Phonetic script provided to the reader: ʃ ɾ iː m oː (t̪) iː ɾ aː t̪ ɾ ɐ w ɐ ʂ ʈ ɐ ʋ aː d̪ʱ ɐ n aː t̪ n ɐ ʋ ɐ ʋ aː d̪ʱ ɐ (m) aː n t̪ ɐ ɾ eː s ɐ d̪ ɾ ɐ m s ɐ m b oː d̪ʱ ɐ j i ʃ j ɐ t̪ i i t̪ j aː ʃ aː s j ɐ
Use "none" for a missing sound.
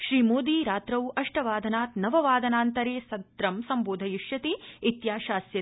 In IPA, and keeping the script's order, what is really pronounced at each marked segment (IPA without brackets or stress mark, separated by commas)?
d̪, n